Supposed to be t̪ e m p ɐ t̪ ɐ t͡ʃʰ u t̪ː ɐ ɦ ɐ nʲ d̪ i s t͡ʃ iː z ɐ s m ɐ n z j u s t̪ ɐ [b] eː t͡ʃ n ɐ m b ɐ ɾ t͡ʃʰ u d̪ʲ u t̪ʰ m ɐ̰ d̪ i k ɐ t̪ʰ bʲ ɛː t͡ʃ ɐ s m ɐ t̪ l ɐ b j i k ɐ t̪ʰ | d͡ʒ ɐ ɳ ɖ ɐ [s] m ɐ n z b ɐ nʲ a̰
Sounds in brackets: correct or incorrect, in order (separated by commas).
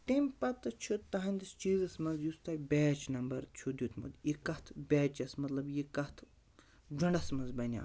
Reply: correct, correct